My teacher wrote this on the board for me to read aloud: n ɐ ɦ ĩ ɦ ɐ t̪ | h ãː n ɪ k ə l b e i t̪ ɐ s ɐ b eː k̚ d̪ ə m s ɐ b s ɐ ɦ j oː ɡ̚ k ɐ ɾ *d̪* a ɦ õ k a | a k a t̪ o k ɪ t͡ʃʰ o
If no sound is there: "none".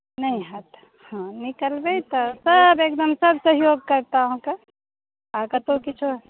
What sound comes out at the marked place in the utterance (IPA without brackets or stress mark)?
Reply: t̪